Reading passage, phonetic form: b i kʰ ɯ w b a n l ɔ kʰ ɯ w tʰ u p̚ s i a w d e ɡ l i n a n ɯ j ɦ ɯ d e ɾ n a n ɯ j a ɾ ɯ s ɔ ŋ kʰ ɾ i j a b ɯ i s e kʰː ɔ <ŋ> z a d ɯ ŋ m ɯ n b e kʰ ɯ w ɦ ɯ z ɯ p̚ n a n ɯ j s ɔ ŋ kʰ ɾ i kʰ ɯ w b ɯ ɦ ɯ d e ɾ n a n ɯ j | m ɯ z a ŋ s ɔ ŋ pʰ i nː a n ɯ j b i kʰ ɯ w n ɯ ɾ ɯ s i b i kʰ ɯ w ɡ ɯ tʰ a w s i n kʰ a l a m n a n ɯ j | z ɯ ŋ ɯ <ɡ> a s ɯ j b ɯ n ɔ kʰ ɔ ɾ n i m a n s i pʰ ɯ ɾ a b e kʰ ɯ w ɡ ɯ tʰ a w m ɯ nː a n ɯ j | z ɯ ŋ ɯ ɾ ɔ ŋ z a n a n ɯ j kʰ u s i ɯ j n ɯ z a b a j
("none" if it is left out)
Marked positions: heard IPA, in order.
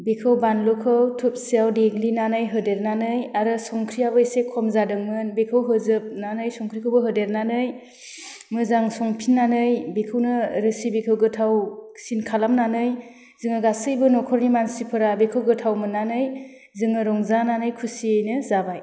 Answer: m, ɡ

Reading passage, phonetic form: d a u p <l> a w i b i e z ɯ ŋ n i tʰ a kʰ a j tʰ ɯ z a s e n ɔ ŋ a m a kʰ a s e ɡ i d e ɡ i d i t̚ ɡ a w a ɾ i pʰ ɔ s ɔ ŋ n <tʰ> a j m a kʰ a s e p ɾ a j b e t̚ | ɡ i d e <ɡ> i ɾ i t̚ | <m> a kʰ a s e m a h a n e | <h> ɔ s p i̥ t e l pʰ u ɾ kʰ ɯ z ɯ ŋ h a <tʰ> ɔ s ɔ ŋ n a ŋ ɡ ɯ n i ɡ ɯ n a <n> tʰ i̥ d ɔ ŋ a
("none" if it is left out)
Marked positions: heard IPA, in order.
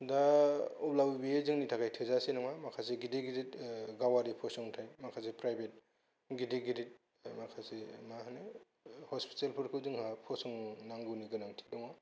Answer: l, tʰ, ɡ, m, h, pʰ, ŋ

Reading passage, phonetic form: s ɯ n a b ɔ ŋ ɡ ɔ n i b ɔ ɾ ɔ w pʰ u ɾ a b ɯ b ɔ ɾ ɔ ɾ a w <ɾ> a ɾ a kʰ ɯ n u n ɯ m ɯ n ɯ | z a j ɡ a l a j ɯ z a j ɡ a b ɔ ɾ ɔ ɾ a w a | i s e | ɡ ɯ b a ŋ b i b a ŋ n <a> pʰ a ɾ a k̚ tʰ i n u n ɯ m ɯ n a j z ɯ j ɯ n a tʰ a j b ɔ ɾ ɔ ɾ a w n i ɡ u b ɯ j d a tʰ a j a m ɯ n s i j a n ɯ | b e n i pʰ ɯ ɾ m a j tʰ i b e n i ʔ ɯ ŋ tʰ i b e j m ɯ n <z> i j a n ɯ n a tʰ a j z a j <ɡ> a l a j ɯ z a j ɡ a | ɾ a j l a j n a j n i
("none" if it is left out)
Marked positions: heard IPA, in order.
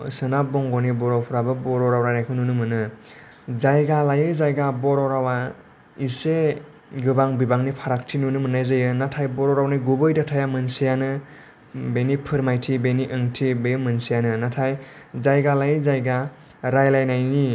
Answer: ɾ, i, s, ɡ

